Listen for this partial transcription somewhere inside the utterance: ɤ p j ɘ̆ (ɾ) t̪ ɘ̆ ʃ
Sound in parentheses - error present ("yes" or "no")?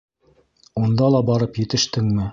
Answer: yes